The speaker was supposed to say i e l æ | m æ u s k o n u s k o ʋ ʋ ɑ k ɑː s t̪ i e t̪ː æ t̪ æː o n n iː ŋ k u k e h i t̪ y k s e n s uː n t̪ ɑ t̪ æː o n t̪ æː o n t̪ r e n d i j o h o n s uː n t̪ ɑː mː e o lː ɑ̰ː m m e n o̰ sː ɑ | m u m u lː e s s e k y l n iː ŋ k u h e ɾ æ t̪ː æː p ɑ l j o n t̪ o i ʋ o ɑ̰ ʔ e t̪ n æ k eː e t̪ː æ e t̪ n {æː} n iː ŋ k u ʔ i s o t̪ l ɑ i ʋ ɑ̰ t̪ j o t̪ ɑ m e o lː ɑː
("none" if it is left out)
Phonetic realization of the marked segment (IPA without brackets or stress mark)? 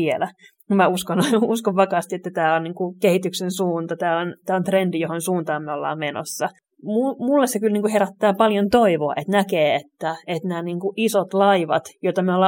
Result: æː